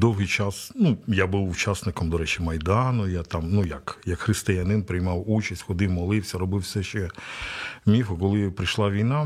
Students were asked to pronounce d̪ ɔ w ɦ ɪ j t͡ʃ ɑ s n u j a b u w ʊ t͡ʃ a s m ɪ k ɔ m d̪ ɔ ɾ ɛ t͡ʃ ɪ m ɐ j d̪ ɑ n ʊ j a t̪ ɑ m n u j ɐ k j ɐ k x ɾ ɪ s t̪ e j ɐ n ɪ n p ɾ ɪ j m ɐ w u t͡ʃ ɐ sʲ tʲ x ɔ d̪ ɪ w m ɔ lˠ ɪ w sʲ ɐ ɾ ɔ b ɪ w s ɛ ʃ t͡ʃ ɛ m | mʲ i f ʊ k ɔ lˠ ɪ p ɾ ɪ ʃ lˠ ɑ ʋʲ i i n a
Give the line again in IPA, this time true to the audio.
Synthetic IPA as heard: d̪ ɔ w ɦ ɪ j t͡ʃ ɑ s n u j a b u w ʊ t͡ʃ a s n ɪ k ɔ m d̪ ɔ ɾ ɛ t͡ʃ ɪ m ɐ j d̪ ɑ n ʊ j a t̪ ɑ m n u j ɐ k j ɐ k x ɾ ɪ s t̪ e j ɐ n ɪ n p ɾ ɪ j m ɑ w u t͡ʃ ɐ sʲ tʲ x ɔ d̪ ɪ w m ɔ lˠ ɪ w sʲ ɐ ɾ ɔ b ɪ w s ɛ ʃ t͡ʃ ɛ | mʲ i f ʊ k ɔ lˠ ɪ p ɾ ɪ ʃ lˠ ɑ ʋʲ i j n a